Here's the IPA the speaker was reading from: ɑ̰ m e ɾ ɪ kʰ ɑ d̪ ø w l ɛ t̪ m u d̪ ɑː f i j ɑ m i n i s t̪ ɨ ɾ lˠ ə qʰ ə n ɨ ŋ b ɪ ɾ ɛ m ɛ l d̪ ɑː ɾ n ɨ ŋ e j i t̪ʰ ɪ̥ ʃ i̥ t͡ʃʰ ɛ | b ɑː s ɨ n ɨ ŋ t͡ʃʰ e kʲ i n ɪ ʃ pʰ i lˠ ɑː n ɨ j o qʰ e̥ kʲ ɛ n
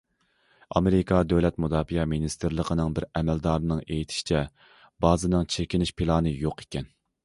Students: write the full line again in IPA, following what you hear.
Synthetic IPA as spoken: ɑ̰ m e ɾ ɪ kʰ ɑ d̪ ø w l ɛ t̪ m u d̪ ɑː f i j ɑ m i n i s t̪ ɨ ɾ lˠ ə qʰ ə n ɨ ŋ b ɪ ɾ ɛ m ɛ l d̪ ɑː ɾ n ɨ ŋ e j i t̪ʰ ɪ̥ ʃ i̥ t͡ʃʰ ɛ | b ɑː z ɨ n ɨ ŋ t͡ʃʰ e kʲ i n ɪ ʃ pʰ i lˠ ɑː n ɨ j o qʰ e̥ kʲ ɛ n